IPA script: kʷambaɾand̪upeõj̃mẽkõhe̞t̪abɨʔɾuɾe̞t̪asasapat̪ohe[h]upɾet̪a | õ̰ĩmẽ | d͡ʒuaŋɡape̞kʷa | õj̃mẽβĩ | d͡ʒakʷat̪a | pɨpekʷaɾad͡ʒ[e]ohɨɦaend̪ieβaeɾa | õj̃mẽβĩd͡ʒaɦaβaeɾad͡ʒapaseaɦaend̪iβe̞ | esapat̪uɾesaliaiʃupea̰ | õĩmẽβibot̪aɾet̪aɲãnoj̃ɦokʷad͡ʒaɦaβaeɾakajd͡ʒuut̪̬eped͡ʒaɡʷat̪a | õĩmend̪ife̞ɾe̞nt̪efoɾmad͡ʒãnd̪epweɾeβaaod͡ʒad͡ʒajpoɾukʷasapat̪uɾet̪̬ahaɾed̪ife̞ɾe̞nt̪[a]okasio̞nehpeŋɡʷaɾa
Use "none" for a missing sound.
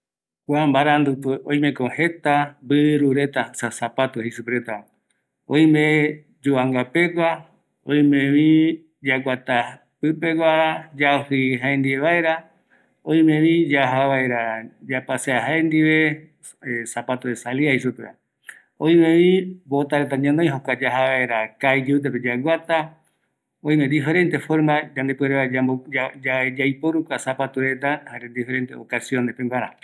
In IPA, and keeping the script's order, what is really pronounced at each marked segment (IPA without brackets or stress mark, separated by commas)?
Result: s, a, e